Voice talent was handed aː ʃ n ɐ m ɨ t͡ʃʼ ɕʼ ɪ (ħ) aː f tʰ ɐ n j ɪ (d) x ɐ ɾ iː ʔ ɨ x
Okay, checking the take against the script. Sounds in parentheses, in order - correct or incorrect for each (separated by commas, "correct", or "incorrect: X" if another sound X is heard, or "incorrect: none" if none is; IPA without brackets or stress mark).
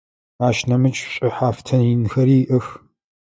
correct, incorrect: n